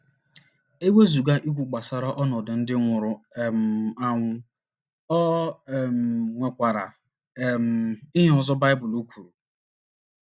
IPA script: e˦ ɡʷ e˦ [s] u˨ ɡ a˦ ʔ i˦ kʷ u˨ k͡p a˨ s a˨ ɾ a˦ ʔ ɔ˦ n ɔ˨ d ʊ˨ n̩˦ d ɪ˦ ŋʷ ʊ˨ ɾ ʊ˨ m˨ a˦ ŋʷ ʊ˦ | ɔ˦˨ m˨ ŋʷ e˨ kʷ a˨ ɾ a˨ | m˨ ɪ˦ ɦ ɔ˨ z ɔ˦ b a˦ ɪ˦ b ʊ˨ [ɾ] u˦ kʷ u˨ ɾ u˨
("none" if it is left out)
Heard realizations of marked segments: z, l

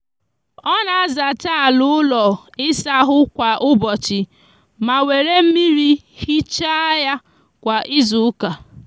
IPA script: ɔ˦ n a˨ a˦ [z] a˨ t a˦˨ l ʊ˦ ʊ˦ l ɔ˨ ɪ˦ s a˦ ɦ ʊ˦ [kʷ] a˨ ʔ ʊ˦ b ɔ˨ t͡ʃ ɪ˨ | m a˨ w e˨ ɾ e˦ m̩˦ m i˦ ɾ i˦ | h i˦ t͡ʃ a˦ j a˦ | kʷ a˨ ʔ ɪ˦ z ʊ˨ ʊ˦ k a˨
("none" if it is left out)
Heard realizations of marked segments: z, kʷ

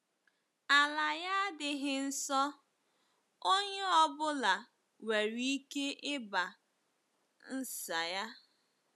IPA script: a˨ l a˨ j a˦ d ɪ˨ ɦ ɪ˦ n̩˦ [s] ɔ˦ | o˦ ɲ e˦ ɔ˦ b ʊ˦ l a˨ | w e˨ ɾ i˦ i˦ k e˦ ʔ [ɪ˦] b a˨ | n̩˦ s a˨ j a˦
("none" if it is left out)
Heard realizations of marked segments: s, ɪ˦

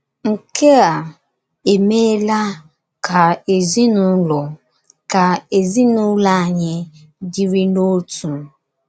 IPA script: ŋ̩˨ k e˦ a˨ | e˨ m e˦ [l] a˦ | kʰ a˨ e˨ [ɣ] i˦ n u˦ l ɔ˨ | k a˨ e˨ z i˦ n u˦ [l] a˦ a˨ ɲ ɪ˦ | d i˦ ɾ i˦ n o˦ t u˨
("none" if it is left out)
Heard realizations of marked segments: l, z, l

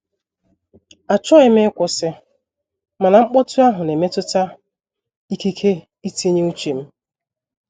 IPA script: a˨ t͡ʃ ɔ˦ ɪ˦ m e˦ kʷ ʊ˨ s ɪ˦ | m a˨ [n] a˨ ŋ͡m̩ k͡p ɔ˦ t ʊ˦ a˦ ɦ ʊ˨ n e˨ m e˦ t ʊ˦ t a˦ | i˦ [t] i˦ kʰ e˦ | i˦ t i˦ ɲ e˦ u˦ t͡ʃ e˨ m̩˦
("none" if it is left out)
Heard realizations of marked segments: n, k

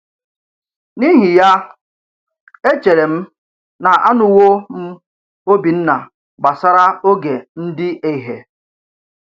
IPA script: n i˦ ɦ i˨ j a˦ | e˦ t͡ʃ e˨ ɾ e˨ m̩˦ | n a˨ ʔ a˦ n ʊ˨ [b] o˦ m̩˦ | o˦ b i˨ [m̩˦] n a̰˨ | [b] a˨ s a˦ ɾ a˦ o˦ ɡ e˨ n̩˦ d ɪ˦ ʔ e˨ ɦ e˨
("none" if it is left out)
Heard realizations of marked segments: w, n̩˦, ɡ͡b

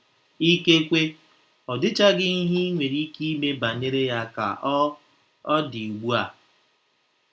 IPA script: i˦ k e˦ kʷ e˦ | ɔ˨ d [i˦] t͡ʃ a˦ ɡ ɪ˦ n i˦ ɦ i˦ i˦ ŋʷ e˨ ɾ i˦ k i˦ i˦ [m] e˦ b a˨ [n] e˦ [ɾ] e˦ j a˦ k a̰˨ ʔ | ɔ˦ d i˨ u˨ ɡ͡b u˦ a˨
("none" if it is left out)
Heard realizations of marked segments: ɪ˦, m, n, ɾ

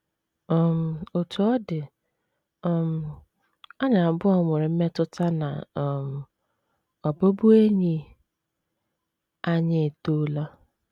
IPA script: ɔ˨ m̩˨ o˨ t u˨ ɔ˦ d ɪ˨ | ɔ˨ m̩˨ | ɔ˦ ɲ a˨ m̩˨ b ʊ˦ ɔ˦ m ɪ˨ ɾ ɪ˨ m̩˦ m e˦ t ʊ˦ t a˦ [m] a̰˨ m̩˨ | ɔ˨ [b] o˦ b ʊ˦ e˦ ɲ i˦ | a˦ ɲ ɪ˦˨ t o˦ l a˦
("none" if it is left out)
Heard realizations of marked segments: n, b

